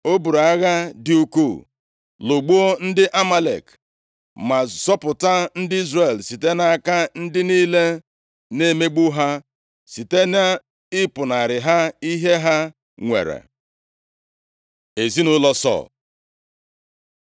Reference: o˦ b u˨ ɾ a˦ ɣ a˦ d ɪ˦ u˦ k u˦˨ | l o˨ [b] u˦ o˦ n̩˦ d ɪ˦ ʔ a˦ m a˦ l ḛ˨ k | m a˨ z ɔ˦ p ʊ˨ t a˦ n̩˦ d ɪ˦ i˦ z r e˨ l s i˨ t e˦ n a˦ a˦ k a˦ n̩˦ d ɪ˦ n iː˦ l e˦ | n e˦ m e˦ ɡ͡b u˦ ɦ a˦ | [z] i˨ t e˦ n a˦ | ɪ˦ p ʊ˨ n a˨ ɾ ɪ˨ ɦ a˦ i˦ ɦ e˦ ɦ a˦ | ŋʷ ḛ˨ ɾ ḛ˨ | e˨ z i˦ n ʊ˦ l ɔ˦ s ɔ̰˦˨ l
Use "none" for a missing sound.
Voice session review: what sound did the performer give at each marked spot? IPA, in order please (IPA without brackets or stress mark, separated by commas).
ɡ͡b, s